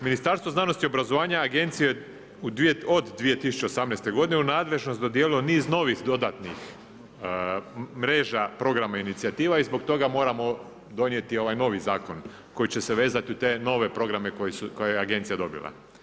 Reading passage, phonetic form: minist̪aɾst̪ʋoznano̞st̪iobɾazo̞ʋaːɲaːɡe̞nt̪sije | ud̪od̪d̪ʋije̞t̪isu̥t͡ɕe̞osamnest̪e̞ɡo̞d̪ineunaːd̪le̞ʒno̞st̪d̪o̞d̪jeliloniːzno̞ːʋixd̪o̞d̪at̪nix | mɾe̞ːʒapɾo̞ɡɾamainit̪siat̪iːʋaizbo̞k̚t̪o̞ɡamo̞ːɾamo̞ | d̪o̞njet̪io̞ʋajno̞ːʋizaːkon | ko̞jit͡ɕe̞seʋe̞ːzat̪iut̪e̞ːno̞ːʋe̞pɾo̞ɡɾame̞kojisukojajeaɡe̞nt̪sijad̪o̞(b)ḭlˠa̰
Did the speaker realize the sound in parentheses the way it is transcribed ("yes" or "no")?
yes